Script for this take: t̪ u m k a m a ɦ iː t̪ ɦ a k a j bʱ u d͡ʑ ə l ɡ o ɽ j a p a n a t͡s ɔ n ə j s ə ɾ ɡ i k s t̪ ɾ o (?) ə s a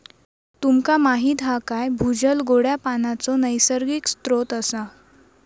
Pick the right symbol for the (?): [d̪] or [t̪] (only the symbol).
t̪